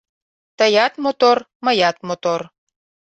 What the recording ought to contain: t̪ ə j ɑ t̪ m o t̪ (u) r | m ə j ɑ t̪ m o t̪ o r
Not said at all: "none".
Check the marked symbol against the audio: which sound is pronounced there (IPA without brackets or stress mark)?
o